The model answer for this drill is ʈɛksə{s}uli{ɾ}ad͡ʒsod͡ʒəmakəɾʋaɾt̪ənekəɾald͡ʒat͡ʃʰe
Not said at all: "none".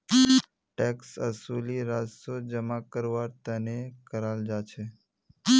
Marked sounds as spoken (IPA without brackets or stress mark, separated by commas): s, ɾ